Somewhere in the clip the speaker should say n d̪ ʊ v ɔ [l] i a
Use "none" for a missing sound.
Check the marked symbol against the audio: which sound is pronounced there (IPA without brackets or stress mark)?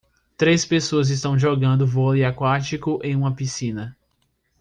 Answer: l